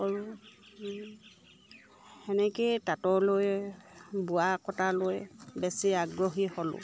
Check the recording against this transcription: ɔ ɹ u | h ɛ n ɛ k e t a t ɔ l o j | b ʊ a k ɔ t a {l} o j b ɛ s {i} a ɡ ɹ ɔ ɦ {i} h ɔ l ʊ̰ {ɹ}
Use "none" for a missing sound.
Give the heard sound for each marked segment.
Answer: l, i, i, none

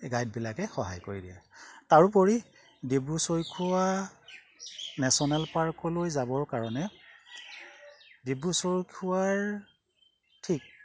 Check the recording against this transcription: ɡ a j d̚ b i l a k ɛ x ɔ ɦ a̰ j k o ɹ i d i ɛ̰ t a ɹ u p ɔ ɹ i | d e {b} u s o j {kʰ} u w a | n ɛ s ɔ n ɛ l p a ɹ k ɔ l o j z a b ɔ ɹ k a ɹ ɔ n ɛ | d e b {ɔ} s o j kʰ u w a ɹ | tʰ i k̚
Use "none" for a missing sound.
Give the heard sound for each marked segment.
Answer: b, kʰ, u

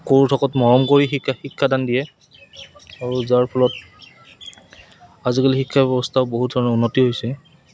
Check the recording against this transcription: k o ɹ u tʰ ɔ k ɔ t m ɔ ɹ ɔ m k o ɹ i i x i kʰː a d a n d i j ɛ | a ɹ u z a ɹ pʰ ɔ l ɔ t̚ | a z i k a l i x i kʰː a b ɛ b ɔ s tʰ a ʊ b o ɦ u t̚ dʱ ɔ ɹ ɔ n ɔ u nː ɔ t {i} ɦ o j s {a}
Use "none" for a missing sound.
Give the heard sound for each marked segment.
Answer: i, ɛ

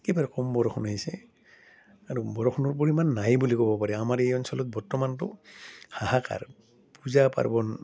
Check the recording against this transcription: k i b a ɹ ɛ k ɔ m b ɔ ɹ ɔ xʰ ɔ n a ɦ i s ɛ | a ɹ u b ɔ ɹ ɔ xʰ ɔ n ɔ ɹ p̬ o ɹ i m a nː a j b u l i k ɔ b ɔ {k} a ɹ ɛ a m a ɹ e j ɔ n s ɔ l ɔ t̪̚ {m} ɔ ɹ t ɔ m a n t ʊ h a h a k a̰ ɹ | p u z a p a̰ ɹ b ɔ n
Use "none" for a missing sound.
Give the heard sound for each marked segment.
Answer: p, b

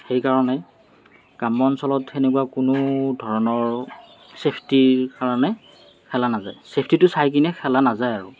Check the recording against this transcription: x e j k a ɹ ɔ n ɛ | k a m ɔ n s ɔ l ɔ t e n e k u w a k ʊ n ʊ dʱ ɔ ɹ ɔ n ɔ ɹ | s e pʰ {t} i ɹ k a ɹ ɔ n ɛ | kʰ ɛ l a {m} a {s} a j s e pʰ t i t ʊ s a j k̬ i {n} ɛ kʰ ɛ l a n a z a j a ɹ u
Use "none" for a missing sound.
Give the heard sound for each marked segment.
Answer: t, n, z, n

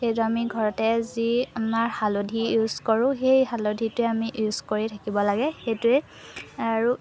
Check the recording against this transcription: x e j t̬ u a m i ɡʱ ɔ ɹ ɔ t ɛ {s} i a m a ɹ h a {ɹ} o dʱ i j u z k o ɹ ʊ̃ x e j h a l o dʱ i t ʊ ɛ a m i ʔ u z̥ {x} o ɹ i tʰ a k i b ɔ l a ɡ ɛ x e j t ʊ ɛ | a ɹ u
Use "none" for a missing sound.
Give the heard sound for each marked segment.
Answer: z, l, k

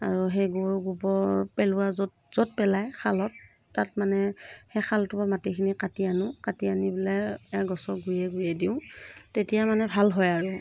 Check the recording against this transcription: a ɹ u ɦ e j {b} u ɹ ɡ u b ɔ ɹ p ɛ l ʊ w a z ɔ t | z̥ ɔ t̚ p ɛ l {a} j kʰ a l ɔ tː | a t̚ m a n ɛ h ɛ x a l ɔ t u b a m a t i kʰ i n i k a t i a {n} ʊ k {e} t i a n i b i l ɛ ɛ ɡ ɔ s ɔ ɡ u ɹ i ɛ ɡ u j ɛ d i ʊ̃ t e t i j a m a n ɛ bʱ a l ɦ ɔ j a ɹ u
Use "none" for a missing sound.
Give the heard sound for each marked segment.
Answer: ɡ, a, n, a

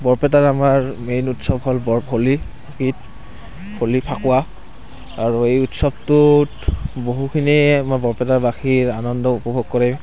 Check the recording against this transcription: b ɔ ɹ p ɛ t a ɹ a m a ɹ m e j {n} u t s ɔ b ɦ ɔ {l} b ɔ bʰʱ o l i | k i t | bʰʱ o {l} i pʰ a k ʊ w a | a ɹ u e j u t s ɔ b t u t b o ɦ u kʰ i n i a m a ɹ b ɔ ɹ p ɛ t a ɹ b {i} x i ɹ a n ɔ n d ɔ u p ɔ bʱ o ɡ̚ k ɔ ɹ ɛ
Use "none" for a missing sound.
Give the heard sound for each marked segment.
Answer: n, l, l, a

